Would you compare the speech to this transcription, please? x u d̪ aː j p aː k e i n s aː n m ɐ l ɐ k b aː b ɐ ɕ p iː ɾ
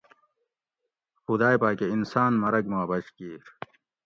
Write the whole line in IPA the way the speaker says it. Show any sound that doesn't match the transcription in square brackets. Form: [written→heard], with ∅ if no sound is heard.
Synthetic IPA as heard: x u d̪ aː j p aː k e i n s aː n m ɐ [l→ɾ] ɐ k [b→m] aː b ɐ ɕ [p→k] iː ɾ

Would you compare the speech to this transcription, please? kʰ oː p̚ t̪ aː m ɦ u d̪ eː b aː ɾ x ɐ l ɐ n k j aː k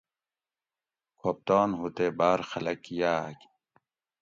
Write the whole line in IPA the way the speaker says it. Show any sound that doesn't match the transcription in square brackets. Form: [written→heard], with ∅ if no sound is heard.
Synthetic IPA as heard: kʰ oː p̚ t̪ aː [m→n] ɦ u [d̪→t̪] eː b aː ɾ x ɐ l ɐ [n→∅] k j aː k

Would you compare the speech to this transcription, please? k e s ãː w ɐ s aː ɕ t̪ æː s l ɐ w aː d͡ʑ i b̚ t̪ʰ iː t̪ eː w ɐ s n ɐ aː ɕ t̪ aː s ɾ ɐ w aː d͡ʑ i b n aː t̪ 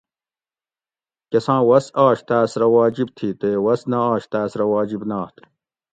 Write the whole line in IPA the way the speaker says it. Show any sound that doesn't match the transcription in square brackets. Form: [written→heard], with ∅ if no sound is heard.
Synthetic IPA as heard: k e s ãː w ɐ s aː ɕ t̪ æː s [l→ɾ] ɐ w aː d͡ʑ i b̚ t̪ʰ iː t̪ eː w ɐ s n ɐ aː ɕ t̪ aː s ɾ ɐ w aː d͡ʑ i b n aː t̪

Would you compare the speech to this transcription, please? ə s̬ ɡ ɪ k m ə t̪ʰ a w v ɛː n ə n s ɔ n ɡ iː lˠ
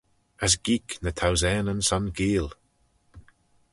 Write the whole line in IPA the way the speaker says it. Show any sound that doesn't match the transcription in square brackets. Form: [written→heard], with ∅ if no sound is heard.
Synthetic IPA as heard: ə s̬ ɡ [ɪ→i] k [m→n] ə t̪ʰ a w [v→z] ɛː n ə n s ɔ n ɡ iː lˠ

